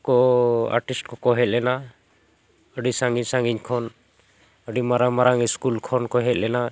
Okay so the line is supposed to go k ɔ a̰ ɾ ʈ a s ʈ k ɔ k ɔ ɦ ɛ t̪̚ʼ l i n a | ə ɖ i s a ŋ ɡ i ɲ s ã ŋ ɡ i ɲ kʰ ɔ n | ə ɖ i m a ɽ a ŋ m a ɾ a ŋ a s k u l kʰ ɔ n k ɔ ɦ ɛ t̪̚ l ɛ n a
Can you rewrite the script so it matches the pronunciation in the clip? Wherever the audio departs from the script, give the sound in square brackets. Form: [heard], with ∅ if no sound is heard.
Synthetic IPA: k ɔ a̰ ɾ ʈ [i] s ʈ k ɔ k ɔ ɦ ɛ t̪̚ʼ l [ɛ] n a | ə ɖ i s a ŋ ɡ i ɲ s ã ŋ ɡ i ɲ kʰ ɔ n | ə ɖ i m a [ɾ] a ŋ m a ɾ a ŋ [i] s k u l kʰ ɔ n k ɔ ɦ ɛ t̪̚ l ɛ n a